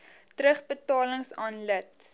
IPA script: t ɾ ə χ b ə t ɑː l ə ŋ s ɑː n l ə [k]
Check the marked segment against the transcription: incorrect: t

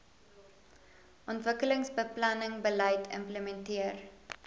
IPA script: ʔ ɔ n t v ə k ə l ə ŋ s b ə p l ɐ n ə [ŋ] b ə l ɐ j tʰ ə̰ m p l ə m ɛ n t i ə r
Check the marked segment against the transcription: correct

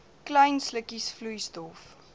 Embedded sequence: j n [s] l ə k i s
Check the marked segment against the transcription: correct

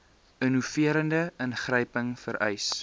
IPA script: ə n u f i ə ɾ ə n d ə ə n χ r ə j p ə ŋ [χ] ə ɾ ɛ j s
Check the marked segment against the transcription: incorrect: f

